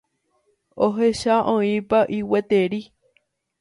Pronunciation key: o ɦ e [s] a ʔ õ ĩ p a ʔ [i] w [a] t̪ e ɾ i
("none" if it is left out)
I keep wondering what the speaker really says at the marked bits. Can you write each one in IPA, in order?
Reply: ʃ, i, e

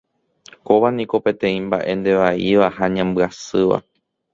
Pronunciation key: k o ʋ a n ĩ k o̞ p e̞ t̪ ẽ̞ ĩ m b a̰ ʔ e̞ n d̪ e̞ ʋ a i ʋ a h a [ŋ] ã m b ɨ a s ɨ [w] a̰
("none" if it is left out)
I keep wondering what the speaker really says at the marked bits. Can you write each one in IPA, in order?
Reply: ɲ, ʋ

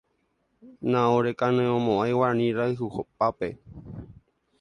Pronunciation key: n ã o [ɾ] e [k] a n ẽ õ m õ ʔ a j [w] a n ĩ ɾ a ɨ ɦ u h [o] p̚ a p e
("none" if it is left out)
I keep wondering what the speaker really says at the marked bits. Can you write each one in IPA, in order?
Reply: ɾ, k, w, o

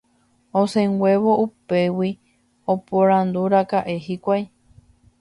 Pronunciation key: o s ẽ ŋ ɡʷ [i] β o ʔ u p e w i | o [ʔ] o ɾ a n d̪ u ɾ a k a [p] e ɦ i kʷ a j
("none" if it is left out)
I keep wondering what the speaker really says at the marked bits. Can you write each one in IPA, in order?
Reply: e, p, ʔ

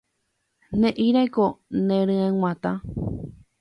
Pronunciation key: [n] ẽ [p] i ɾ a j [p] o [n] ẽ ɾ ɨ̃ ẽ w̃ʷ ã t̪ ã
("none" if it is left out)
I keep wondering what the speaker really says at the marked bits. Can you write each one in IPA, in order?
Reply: n, ʔ, k, n

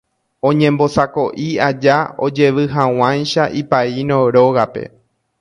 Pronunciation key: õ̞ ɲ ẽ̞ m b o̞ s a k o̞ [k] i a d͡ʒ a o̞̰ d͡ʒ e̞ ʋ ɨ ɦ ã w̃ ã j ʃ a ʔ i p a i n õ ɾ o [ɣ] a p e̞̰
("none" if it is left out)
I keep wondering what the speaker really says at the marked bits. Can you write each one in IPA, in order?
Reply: ʔ, ɣ

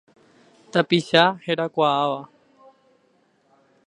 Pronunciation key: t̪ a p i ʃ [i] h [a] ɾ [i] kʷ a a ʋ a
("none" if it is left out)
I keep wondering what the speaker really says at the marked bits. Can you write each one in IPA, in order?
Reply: a, e, a

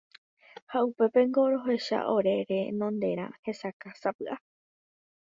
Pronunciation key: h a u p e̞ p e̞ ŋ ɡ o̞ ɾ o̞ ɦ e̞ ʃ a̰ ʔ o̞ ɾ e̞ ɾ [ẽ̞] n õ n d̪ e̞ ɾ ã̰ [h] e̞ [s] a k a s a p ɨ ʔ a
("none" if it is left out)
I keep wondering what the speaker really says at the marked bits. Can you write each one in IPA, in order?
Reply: e̞, h, s

